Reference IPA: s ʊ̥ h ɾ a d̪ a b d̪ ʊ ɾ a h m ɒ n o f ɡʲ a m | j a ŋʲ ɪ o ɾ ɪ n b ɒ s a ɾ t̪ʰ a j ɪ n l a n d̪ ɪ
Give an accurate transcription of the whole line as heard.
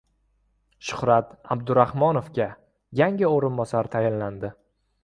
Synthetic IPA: ʃ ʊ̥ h ɾ a t̪ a b d̪ ʊ ɾ a h m ɒ n o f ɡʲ a | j a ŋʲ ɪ o ɾ ɪ n b ɒ s a ɾ t̪ʰ a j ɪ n l a n d̪ ɪ